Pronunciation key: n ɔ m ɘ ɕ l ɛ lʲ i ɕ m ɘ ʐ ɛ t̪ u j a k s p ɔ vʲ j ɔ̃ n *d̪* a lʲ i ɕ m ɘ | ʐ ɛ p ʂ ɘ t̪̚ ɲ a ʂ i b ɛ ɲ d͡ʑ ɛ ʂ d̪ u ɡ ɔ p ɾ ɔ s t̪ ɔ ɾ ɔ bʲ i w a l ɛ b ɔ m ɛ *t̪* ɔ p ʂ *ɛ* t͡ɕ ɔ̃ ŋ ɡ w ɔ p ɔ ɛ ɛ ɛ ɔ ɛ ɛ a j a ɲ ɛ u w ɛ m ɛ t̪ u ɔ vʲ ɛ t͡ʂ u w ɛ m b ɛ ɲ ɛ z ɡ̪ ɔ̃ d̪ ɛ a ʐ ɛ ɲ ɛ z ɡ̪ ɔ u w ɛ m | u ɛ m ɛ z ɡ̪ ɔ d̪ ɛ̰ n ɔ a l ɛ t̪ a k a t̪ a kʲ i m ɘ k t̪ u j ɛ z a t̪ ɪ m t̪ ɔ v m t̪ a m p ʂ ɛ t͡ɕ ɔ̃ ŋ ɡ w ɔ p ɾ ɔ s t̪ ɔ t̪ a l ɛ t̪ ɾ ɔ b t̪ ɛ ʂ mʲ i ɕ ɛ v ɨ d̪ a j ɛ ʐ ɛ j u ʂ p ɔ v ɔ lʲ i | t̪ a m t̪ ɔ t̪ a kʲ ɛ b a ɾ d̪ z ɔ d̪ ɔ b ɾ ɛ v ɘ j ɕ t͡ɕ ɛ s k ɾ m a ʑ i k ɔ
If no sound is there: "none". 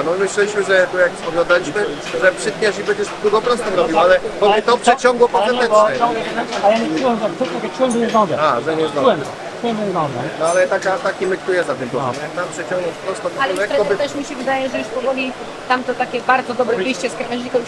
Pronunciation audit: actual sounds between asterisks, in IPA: d̪, t̪, ɛ

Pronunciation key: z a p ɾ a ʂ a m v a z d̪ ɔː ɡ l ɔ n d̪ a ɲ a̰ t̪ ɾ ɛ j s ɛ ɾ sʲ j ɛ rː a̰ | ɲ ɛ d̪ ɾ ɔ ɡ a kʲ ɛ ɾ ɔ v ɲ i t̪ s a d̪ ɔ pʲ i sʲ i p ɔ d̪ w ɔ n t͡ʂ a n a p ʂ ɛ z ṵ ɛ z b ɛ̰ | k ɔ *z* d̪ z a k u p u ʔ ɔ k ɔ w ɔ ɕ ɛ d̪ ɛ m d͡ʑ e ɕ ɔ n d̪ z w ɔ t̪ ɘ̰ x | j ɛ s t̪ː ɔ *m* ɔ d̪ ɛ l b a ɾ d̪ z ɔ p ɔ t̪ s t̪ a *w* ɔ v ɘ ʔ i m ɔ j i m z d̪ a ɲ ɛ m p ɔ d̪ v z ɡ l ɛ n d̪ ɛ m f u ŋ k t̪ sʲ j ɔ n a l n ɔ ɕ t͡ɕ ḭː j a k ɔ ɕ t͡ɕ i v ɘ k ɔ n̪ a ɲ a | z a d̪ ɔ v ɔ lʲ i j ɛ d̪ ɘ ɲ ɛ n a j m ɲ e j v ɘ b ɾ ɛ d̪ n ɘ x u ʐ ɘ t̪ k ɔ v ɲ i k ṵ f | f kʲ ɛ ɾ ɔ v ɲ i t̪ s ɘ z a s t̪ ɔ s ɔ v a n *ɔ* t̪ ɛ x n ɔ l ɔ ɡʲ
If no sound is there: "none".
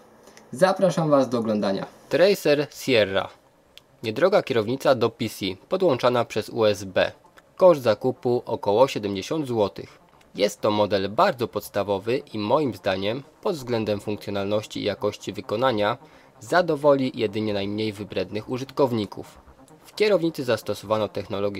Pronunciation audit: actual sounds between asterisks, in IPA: ʐ, m, v, ɔ

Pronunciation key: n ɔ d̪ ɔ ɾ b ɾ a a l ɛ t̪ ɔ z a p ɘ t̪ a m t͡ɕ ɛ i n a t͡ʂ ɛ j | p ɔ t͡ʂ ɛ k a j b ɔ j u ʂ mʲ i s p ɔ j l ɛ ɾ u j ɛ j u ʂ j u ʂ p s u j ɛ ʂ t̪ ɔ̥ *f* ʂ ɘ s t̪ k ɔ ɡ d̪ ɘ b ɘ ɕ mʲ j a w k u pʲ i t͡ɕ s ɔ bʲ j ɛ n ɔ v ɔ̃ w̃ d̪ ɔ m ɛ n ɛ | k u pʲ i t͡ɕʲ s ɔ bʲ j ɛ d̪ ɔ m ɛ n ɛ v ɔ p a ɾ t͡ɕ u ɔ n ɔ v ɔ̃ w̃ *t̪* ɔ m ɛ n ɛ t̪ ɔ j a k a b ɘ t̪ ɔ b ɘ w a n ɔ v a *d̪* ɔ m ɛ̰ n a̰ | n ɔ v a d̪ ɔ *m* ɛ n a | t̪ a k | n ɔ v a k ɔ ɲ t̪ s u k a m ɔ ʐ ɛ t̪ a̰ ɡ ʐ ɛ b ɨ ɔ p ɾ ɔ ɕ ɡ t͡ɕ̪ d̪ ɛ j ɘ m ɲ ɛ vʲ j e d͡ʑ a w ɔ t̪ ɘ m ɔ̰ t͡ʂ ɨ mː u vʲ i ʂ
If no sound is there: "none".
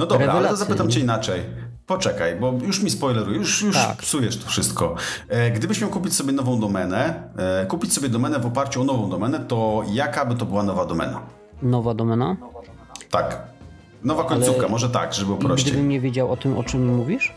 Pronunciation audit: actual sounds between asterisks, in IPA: f, d̪, d̪, m

